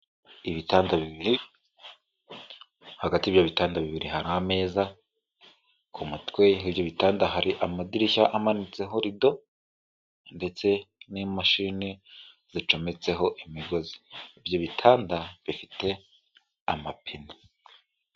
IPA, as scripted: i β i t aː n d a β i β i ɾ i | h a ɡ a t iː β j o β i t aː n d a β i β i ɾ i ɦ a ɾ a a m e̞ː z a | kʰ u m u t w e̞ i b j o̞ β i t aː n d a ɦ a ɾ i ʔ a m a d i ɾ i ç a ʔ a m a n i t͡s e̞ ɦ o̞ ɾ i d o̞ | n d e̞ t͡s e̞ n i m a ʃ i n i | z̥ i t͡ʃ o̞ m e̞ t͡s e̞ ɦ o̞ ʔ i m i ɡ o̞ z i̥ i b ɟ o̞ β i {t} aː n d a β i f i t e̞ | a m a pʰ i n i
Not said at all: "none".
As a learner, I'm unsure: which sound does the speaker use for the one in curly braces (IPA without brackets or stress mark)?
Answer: tʰ